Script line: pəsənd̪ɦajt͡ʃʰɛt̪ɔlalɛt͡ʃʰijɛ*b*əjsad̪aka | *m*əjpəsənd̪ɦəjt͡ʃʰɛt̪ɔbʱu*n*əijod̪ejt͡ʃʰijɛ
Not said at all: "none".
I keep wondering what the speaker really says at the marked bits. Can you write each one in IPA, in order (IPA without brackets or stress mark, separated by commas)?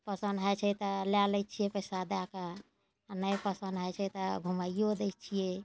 p, n, m